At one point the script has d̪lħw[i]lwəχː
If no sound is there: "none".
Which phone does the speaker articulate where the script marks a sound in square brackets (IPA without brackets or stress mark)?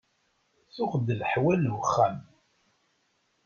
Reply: æ